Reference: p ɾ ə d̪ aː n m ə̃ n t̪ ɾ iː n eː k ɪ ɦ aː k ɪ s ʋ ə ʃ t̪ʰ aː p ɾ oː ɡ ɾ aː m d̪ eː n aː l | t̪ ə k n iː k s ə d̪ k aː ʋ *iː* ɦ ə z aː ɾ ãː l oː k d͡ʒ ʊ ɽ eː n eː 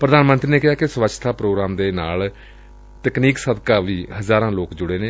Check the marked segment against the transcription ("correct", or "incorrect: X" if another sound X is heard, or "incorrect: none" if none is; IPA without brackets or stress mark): correct